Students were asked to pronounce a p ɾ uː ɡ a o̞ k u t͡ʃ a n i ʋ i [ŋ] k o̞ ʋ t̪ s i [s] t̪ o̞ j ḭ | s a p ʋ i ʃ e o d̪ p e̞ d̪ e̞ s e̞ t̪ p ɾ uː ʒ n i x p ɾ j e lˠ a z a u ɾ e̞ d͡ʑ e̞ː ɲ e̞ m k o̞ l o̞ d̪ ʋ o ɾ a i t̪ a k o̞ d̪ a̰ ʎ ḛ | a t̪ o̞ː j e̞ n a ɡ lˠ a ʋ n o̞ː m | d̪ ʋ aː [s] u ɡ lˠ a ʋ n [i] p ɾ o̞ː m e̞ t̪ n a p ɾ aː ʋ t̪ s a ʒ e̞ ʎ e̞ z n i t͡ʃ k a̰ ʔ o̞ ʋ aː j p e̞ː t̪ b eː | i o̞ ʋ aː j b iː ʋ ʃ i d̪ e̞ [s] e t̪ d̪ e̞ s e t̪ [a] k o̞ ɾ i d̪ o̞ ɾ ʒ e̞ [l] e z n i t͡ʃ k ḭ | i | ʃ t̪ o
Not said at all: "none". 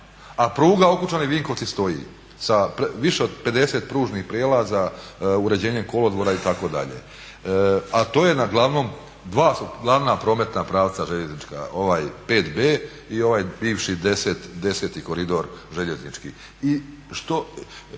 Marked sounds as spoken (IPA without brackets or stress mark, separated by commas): ŋ, s, s, a, s, i, ʎ